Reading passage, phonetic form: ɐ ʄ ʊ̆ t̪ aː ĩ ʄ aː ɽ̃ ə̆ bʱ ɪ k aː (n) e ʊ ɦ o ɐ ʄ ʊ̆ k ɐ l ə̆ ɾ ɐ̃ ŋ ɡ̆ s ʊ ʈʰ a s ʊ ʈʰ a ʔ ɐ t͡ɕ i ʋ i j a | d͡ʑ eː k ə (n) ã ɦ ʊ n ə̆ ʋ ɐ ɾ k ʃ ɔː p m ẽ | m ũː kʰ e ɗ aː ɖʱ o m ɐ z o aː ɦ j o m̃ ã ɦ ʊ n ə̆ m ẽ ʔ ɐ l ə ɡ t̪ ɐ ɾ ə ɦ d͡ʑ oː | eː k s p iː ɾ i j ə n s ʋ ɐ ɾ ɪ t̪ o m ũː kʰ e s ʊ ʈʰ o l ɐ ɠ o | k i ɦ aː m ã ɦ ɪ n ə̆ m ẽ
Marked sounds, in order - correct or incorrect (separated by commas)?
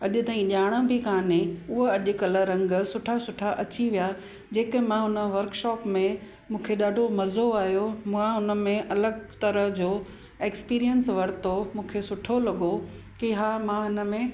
correct, incorrect